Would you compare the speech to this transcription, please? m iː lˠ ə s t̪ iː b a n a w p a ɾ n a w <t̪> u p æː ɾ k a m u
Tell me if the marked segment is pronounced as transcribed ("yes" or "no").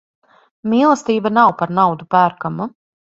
no